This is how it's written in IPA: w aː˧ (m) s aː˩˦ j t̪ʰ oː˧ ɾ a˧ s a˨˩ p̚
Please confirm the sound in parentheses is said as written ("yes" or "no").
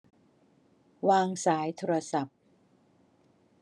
no